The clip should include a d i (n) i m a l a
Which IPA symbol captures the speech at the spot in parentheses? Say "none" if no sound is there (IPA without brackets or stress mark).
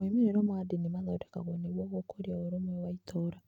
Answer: n